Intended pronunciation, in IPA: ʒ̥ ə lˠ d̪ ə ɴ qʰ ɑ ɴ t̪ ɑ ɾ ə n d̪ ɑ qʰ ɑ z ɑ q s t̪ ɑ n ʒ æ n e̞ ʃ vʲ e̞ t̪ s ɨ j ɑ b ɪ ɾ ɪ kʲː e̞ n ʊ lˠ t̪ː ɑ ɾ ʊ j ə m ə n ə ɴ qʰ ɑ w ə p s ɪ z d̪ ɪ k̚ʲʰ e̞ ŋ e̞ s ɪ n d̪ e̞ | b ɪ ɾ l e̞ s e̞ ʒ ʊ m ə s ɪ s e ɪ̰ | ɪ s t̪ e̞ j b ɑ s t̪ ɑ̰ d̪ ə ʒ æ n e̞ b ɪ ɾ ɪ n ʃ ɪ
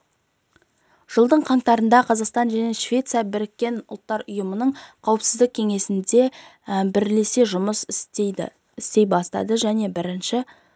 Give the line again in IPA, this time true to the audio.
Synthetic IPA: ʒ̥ ə lˠ d̪ ə ɴ qʰ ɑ ɴ t̪ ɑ ɾ ə n d̪ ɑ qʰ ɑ z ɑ q s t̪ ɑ n ʒ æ n e̞ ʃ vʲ e̞ t̪ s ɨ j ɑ b ɪ ɾ ɪ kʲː e̞ n ʊ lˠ t̪ː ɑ ɾ ʊ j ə m ə n ə ɴ qʰ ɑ w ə p s ɪ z d̪ ɪ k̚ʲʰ e̞ ŋ e̞ s ɪ n d̪ e̞ | b ɪ ɾ l e̞ s e̞ ʒ ʊ m ə s ɪ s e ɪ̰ | ɪ s t̪ e̞ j b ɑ s t̪ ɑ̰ d̪ ə ʒ æ n e̞ b ɪ ɾ ɪ n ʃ ɪ

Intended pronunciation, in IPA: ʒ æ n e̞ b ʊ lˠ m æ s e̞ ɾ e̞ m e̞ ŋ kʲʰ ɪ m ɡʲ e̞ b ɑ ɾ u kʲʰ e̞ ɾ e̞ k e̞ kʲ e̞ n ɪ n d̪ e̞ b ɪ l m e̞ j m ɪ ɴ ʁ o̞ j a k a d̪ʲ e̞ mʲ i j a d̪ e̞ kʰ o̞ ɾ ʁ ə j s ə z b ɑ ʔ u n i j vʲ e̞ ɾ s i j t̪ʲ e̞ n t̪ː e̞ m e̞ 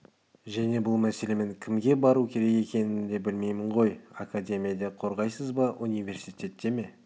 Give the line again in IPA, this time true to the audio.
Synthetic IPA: ʒ æ n e̞ b ʊ lˠ m æ s e̞ l e̞ m e̞ ŋ kʲʰ ɪ m ɡʲ e̞ b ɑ ɾ u kʲʰ e̞ ɾ e̞ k e̞ kʲ e̞ n ɪ n d̪ e̞ b ɪ l m e̞ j m ɪ ɴ ʁ o̞ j a k a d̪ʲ e̞ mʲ i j a d̪ e̞ qʰ o̞ ɾ ʁ ɑ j s ə z b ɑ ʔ u n i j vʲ e̞ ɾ s i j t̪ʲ e̞ t̪ː e̞ m e̞

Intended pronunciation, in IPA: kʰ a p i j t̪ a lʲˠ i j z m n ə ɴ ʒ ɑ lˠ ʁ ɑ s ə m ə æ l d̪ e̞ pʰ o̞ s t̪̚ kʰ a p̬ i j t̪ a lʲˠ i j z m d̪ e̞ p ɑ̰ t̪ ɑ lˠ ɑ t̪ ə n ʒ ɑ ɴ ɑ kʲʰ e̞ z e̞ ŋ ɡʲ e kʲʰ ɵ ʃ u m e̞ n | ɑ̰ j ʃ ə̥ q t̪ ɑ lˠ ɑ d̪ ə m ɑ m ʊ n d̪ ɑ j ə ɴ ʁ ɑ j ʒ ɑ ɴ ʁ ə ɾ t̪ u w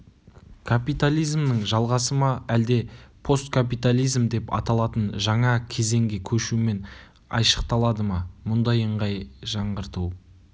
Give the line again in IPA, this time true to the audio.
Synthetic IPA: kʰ a p i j t̪ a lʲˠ i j z m n ə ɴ ʒ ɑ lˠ ʁ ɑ s ə m ɑ æ l d̪ e̞ pʰ o̞ s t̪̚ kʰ a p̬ i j t̪ a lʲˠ i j z m d̪ e̞ p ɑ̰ t̪ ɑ lˠ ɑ t̪ ə n ʒ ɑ ɴ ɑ kʲʰ e̞ z e̞ ŋ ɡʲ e kʲʰ ɵ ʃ u m e̞ n | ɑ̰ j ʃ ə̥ q t̪ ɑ lˠ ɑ d̪ ə m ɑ m ʊ n d̪ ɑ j ə ɴ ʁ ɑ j ʒ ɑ ɴ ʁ ə ɾ t̪ u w

